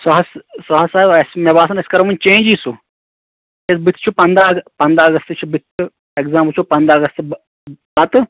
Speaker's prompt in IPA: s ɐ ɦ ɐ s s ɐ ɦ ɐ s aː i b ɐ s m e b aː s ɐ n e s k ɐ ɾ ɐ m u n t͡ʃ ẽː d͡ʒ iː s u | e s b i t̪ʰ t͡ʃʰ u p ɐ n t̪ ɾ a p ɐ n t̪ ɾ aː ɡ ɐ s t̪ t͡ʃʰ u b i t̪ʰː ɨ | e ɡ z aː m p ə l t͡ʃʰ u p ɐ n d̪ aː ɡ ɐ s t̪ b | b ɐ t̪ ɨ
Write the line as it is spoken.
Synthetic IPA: s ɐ ɦ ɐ s s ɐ ɦ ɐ s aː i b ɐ s m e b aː s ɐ n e s k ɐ ɾ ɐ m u n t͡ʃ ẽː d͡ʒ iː s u | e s b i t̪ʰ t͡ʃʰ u p ɐ n d̪ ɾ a p ɐ n d̪ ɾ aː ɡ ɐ s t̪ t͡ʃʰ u b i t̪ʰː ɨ | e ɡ z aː m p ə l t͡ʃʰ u p ɐ n d̪ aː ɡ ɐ s t̪ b | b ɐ t̪ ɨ